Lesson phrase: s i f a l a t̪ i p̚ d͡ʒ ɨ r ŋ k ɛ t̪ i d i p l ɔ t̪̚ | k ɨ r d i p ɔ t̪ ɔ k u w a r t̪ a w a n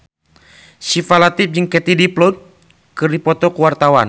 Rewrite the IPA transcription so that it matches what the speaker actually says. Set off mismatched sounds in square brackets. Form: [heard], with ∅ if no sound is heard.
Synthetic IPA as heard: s i f a l a t̪ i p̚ d͡ʒ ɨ [∅] ŋ k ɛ t̪ i d i p l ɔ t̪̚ | k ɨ r d i p ɔ t̪ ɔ k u w a r t̪ a w a n